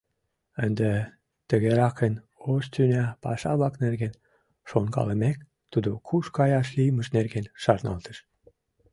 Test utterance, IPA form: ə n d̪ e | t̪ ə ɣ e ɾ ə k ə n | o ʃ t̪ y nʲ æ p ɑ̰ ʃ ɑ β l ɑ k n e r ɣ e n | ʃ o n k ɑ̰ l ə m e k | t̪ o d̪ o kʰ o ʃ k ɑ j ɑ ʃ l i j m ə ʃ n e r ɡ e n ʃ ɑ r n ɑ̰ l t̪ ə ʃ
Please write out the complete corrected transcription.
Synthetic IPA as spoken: ə n d̪ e | t̪ ə ɣ e ɾ ɑ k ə n | o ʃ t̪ y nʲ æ p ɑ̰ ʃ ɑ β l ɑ k n e r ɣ e n | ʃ o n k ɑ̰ l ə m e k | t̪ u d̪ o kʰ u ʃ k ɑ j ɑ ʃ l i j m ə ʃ n e r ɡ e n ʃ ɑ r n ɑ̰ l t̪ ə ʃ